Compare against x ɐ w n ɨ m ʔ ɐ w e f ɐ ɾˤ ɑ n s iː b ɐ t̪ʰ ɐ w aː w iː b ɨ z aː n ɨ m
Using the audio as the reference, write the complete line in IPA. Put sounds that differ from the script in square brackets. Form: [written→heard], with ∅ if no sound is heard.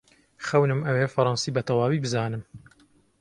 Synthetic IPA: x ɐ w n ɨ m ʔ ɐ w e f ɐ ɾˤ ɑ n s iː b ɐ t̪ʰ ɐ w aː w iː b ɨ z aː n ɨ m

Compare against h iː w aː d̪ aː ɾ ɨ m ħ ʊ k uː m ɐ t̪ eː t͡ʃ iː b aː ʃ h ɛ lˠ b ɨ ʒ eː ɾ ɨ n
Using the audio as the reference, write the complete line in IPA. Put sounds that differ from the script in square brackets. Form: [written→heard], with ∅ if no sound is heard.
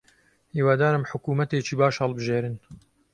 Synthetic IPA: h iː w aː d̪ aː ɾ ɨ m ħ ʊ k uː m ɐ t̪ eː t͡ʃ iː b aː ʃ h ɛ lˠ b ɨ ʒ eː ɾ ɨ n

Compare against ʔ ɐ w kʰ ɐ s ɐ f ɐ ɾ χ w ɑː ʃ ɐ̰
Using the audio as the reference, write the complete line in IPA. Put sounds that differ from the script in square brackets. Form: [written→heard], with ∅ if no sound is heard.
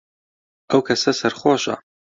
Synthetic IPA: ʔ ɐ w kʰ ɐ s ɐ [f→s] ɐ ɾ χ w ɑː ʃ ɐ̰

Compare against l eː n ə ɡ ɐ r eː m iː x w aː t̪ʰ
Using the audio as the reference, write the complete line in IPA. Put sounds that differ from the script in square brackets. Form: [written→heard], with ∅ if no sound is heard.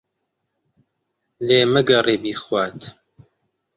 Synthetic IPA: l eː [n→m] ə ɡ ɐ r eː [m→b] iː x w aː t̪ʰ

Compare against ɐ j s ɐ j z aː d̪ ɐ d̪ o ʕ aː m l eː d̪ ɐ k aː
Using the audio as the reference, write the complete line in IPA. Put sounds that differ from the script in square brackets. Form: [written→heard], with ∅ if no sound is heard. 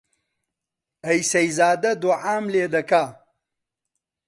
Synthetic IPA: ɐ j s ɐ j z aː d̪ ɐ d̪ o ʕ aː m l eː d̪ ɐ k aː

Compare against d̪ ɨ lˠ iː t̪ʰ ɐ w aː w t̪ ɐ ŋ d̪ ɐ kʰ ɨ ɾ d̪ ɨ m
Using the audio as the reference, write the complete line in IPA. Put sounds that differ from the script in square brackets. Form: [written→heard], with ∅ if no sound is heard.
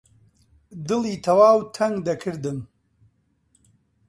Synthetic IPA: d̪ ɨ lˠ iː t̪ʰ ɐ w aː w [t̪→t̪ʰ] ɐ ŋ d̪ ɐ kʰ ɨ ɾ d̪ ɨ m

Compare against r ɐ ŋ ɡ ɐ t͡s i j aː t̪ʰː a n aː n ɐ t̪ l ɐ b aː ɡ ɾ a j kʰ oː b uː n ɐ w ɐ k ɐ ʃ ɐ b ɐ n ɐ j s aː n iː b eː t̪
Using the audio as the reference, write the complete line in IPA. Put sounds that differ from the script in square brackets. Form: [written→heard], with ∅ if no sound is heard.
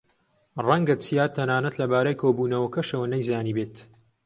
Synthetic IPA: r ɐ ŋ ɡ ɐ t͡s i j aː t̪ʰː [a→ɐ] n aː n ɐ t̪ l ɐ b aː [ɡ→∅] ɾ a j kʰ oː b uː n ɐ w ɐ k ɐ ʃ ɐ [b→w] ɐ n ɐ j [s→z] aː n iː b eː t̪

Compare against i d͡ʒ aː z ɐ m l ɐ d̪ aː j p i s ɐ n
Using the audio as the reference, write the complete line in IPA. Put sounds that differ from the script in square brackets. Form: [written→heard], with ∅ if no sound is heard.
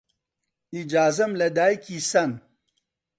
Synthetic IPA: i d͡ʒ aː z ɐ m l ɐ d̪ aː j [p→k] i s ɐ n

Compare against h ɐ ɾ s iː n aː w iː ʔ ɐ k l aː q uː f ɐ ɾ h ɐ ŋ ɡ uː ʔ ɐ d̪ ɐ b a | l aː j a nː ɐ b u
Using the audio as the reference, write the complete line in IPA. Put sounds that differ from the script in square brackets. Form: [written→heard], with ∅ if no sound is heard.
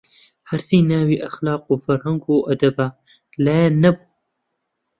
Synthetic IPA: h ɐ ɾ s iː n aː w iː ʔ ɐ [k→x] l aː q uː f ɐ ɾ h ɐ ŋ ɡ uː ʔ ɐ d̪ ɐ b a | l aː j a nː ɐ b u

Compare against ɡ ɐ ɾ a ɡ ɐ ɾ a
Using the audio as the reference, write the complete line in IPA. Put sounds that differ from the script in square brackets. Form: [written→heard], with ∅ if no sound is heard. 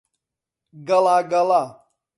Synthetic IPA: ɡ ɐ [ɾ→l] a ɡ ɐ [ɾ→l] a

